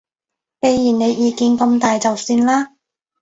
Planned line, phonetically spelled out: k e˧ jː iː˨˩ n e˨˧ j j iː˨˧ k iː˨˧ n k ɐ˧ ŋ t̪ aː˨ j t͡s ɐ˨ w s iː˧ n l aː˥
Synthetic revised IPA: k e˧ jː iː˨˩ n e˨˧ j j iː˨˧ k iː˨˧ n k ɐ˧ m t̪ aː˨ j t͡s ɐ˨ w s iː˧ n l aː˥